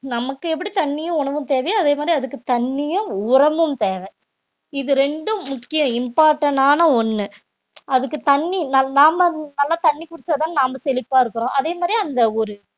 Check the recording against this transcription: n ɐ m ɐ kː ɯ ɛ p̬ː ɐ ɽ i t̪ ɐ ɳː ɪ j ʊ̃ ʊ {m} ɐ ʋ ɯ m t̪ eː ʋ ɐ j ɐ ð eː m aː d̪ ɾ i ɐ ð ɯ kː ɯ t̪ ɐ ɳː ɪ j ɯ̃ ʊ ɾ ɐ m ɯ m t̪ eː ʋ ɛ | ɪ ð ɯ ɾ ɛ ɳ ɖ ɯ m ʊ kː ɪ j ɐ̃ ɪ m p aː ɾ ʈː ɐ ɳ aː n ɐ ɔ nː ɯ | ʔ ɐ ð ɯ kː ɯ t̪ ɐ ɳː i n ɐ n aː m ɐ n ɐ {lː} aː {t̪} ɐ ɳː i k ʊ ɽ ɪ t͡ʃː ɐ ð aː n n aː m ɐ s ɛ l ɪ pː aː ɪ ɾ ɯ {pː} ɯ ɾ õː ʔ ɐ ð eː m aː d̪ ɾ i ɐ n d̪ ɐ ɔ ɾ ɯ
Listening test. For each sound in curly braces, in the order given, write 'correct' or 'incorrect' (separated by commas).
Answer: incorrect, correct, correct, incorrect